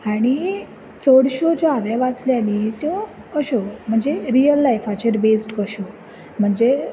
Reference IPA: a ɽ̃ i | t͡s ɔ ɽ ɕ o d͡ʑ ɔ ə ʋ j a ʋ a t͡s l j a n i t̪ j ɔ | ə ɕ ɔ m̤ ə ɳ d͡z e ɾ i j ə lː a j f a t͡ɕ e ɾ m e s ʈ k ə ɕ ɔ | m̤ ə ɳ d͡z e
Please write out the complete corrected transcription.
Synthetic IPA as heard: a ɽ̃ i | t͡s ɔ ɽ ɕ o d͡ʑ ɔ a ʋ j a ʋ a t͡s l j a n i t̪ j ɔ | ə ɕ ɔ m̤ ə ɳ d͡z e ɾ i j ə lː a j f a t͡ɕ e ɾ b e s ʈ k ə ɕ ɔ | m̤ ə ɳ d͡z e

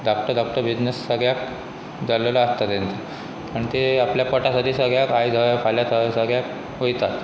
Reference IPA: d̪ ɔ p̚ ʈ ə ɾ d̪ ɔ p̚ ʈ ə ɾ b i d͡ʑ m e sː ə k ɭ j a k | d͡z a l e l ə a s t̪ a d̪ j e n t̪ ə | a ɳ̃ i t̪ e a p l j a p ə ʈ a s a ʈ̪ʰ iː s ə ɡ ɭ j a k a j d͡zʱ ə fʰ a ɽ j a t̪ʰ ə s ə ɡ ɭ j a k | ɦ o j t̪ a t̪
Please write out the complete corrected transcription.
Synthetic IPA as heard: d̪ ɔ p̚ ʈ ə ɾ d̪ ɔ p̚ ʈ ə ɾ b i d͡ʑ n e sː ə ɡ ɭ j a k | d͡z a l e l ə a s t̪ a t̪ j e n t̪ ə | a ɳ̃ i t̪ e a p l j a p ə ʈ a s a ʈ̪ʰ iː s ə ɡ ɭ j a k a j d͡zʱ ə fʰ a l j a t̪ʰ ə s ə ɡ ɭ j a k | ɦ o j t̪ a t̪

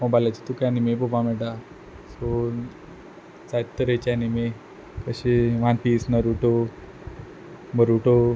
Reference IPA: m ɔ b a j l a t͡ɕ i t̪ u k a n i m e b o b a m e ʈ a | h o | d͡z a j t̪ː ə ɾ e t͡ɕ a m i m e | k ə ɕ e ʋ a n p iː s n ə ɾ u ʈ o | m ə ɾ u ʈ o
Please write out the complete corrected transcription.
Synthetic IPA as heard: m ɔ b a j l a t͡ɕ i t̪ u k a n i m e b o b a m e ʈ a | s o | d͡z a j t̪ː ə ɾ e t͡ɕ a n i m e | k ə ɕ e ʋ a n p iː s n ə ɾ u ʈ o | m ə ɾ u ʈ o

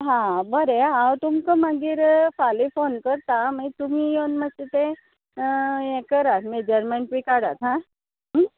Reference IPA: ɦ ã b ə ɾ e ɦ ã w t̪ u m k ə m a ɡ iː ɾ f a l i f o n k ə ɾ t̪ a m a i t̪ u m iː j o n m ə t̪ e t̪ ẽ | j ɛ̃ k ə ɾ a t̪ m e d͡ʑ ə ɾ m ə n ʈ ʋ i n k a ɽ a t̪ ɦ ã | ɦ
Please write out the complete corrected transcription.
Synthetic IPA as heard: ɦ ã b ə ɾ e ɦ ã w t̪ u m k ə m a ɡ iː ɾ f a l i f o n k ə ɾ t̪ a m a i t̪ u m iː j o n m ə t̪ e t̪ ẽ | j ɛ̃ k ə ɾ a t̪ m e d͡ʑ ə ɾ m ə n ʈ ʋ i k a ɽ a t̪ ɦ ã | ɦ

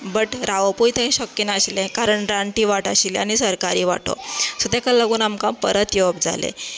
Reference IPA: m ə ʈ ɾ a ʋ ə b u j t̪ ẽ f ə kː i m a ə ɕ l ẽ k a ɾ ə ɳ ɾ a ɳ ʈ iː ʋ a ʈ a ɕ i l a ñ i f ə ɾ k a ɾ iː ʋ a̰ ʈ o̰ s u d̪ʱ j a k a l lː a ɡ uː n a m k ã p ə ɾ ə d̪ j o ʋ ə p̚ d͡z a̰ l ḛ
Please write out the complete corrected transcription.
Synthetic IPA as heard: b ə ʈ ɾ a ʋ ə p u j t̪ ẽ ɕ ə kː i n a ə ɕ l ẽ k a ɾ ə ɳ ɾ a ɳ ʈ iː ʋ a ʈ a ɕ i l a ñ i s ə ɾ k a ɾ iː ʋ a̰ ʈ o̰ s u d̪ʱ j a k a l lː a ɡ uː n a m k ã p ə ɾ ə t̪ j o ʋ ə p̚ d͡z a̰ l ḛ

